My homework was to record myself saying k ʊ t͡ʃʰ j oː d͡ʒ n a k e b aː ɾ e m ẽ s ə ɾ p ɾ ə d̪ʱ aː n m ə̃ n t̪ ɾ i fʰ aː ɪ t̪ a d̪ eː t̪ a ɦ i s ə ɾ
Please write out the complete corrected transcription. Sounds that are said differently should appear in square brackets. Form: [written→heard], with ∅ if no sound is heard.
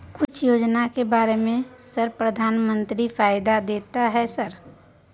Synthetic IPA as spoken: k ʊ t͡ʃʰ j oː d͡ʒ n a k e b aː ɾ e m ẽ s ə ɾ p ɾ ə d̪ʱ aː n m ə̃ n t̪ ɾ i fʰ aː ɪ [t̪→d̪] a d̪ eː t̪ a ɦ [i→ɛ] s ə ɾ